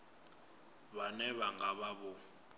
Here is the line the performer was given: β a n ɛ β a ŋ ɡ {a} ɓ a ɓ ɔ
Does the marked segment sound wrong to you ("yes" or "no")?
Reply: no